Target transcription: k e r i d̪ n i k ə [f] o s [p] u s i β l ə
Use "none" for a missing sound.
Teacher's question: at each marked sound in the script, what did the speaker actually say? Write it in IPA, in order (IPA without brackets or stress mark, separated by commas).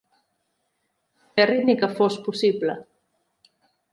f, p